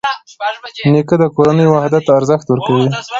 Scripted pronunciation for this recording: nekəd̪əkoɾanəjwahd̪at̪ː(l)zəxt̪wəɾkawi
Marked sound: incorrect: ɾ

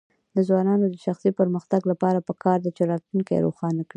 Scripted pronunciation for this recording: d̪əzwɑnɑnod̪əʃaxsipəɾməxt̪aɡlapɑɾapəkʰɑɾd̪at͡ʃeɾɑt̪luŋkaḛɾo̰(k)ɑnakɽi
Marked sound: incorrect: x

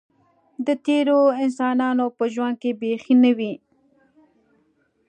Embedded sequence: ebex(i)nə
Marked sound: correct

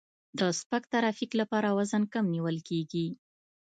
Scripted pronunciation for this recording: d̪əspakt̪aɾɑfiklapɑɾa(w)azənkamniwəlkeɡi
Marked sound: correct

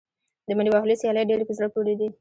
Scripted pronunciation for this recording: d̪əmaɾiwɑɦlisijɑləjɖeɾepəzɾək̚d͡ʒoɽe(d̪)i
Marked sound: correct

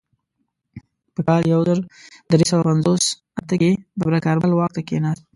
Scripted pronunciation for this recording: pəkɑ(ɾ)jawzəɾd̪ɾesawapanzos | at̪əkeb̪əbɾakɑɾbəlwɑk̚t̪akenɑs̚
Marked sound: incorrect: l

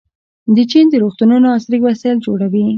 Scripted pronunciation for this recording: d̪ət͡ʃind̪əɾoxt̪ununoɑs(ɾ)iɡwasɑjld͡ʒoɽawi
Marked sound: correct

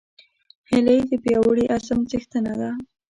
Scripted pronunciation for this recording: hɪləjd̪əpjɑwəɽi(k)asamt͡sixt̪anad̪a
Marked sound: incorrect: ʔ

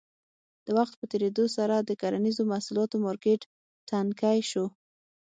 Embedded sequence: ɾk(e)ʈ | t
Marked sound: correct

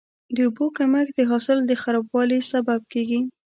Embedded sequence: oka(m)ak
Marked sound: correct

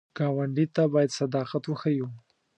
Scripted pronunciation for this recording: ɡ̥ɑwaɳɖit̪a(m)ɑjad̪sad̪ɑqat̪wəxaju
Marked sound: incorrect: b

